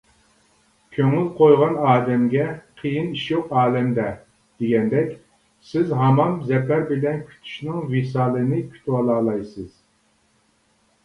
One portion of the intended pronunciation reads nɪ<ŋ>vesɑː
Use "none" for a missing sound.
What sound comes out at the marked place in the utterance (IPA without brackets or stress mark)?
ŋ